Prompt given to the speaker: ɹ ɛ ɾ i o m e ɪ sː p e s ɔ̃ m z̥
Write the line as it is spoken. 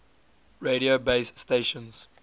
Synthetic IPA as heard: ɹ e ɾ i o b e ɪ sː t e ʃ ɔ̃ n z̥